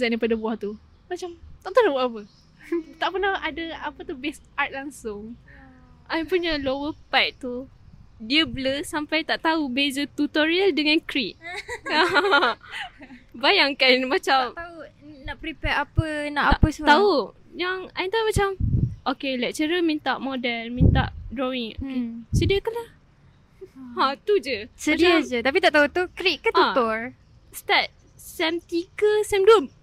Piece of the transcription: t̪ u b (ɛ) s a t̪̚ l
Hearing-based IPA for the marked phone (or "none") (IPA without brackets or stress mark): ɛ